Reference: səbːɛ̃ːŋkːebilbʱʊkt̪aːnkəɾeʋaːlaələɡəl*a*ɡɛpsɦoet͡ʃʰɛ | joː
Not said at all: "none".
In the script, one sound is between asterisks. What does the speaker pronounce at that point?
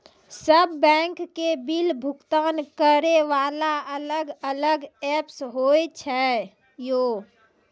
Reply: ə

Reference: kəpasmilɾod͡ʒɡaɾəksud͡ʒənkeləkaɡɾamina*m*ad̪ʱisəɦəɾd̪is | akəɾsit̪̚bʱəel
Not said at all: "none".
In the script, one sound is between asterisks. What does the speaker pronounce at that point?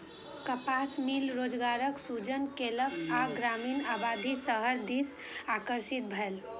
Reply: b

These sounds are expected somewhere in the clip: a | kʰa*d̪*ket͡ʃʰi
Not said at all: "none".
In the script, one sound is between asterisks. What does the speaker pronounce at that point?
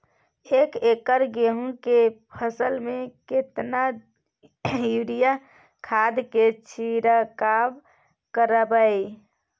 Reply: d̪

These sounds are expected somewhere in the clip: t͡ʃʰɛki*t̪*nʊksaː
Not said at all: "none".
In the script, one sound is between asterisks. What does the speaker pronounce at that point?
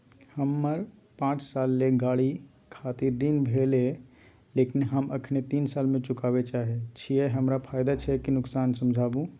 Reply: none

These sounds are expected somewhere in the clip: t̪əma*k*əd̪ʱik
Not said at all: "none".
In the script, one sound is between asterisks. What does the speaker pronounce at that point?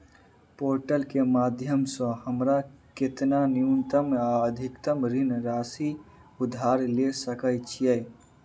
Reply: none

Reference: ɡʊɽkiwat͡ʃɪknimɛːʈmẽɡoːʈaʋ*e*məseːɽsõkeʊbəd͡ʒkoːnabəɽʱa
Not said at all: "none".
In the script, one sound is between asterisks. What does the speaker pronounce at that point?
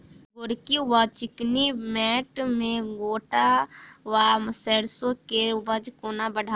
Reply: a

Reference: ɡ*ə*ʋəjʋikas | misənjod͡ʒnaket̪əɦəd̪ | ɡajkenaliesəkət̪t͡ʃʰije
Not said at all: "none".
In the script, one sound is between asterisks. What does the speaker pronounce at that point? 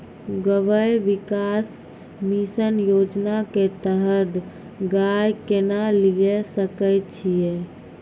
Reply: ə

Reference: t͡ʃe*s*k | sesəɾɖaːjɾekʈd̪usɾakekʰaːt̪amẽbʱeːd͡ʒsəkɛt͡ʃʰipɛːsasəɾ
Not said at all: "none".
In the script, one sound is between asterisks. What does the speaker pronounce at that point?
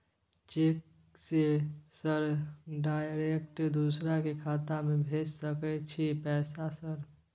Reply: none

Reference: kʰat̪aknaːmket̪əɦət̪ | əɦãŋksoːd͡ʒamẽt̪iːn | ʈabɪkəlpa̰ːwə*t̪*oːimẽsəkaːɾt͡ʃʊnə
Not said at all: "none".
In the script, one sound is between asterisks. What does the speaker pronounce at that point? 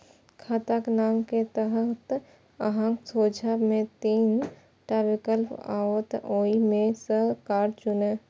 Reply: t̪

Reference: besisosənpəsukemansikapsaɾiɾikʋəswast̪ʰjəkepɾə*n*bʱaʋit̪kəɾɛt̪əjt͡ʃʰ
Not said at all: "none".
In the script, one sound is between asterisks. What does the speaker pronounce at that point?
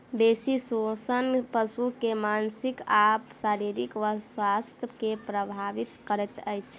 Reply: none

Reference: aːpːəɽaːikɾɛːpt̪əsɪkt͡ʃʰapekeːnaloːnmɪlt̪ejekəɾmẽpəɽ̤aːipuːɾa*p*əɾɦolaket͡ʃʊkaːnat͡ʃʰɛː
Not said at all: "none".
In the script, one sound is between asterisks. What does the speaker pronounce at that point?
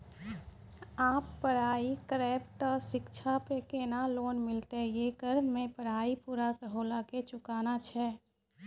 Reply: k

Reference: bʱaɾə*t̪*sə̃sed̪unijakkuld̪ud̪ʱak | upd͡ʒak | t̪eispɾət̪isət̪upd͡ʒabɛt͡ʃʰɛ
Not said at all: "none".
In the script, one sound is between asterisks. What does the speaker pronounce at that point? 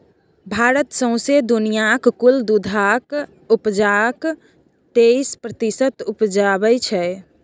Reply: t̪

